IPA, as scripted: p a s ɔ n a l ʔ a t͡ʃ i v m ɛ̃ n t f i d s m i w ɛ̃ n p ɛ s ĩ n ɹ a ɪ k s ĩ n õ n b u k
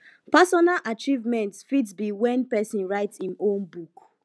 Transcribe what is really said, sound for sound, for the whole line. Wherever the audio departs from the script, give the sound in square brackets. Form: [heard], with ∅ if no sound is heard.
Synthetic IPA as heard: p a s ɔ n a l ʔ a t͡ʃ i v m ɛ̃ n t f i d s [b] i w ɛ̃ n p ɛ s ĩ n ɹ a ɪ [t] s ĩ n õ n b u k

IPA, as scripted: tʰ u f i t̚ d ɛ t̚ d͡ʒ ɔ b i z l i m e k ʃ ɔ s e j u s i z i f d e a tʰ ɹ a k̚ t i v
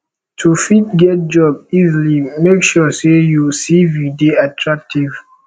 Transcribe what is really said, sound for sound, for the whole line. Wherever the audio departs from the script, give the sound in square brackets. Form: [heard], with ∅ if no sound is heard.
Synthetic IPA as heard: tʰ u f i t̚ [ɡ] ɛ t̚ d͡ʒ ɔ b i z l i m e k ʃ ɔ s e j u s i [v] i [∅] d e a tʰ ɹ a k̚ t i v

